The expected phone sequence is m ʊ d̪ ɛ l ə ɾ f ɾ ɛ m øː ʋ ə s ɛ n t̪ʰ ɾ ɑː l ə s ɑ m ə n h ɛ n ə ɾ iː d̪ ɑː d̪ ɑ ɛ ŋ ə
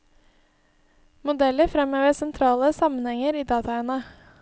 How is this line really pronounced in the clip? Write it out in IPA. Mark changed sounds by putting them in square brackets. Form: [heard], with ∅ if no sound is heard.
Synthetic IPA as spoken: m ʊ d̪ ɛ l ə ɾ f ɾ ɛ m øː ʋ ə s ɛ n t̪ʰ ɾ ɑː l ə s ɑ m ə n h ɛ [ŋ] ə ɾ iː d̪ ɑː [t̪] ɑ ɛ [n] ə